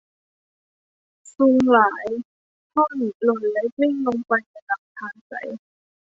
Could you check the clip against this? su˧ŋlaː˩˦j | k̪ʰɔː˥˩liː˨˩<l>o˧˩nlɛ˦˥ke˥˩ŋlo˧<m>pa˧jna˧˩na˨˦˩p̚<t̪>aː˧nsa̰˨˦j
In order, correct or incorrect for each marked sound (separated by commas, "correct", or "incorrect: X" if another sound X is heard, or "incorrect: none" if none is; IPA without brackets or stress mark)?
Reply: correct, incorrect: ŋ, incorrect: t̪ʰ